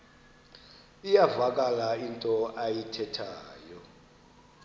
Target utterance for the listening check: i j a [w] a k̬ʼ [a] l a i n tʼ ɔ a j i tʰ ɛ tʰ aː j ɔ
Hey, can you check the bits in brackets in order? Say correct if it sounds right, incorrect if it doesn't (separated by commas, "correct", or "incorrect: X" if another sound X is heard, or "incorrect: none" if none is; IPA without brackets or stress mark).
incorrect: v, correct